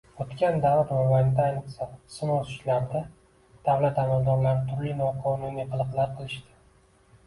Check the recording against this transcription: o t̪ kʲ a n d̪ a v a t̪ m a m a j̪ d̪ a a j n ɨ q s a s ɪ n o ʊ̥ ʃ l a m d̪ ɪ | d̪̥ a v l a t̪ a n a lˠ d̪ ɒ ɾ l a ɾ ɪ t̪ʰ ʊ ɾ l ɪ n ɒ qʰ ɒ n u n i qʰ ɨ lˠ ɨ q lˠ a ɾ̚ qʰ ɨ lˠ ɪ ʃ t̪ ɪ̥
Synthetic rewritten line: o t̪ kʲ a n d̪ a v a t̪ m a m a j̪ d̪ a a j n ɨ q s a s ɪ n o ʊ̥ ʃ l a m d̪ ɪ | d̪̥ a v l a t̪ a m a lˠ d̪ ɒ ɾ l a ɾ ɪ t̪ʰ ʊ ɾ l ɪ n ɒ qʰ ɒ n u n i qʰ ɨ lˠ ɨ q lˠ a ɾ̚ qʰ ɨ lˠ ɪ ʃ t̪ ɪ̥